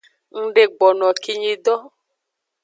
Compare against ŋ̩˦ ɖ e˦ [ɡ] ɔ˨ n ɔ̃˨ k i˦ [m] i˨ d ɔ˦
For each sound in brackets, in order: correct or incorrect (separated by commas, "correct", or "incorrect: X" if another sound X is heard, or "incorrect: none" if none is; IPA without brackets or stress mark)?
incorrect: ɡ͡b, incorrect: ɲ